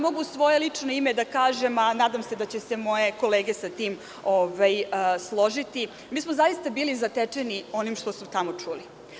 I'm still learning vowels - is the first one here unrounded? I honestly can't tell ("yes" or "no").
no